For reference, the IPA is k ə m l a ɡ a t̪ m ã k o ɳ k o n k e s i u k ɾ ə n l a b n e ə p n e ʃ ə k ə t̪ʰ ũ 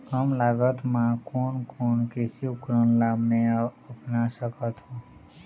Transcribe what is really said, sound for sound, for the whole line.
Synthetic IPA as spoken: k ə m l a ɡ ə t̪ m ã k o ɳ k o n k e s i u k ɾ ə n l a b n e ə p n a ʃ ə k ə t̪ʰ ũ